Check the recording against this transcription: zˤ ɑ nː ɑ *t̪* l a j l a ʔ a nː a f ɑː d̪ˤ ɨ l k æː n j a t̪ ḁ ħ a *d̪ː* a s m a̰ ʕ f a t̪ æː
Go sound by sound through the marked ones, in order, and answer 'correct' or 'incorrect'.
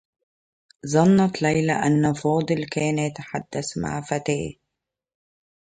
correct, correct

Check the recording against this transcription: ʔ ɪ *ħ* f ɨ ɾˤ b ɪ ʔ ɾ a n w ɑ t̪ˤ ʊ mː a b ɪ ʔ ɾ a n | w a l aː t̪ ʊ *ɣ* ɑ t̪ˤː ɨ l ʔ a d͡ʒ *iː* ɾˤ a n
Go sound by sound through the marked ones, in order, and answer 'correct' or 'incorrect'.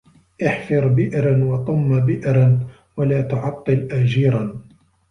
correct, incorrect, correct

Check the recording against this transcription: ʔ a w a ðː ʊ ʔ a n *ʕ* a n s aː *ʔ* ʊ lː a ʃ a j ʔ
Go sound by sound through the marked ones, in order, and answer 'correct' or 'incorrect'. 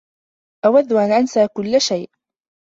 correct, incorrect

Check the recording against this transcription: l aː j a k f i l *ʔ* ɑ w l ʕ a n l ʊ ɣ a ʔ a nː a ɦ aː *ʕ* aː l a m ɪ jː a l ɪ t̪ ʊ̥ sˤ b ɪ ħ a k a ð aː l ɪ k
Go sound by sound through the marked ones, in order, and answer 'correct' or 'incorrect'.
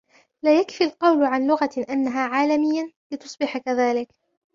incorrect, correct

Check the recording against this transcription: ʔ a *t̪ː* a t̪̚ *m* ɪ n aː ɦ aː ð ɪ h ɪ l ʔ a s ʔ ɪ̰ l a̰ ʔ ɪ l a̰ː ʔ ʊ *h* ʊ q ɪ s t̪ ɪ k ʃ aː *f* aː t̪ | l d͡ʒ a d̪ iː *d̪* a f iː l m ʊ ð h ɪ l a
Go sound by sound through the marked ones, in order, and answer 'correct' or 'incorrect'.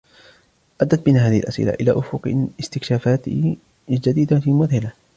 incorrect, incorrect, incorrect, correct, correct

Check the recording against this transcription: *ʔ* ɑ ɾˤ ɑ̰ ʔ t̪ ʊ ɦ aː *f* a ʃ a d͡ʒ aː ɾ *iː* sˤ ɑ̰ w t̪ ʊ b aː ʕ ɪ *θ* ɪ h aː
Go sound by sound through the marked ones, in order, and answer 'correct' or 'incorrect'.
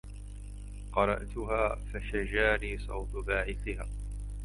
incorrect, correct, correct, correct

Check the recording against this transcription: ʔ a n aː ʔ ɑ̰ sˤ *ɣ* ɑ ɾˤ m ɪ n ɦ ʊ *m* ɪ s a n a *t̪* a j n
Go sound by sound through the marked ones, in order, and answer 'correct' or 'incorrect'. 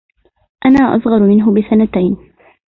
correct, incorrect, correct

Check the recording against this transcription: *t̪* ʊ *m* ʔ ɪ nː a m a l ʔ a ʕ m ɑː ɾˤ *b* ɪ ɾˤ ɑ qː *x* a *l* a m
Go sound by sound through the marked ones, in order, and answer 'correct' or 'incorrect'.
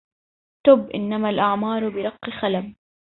correct, incorrect, correct, correct, correct

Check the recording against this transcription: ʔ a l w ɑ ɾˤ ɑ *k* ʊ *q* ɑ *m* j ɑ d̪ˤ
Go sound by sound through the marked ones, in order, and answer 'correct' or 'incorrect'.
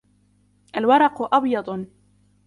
incorrect, incorrect, incorrect

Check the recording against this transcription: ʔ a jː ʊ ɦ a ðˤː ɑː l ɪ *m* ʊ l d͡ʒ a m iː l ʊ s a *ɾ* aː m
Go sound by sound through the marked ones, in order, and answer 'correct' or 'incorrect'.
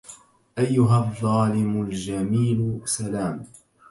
correct, incorrect

